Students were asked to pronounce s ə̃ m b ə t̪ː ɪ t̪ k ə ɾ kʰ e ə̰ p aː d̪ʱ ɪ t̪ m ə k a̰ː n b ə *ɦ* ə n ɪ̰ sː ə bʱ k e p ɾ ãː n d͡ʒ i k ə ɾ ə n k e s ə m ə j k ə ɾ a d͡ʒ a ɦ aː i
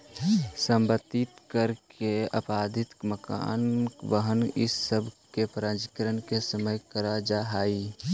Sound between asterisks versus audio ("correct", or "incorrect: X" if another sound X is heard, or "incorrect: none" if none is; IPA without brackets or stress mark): correct